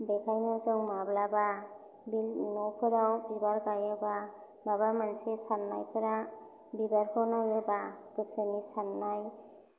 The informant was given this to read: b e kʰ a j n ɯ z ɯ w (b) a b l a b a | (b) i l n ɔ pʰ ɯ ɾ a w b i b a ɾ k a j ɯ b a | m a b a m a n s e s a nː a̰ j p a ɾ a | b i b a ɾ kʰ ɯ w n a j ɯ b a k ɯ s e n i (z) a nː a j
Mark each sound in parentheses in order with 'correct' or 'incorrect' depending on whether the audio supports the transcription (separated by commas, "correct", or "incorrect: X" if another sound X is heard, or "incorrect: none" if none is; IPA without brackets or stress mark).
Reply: incorrect: m, correct, incorrect: s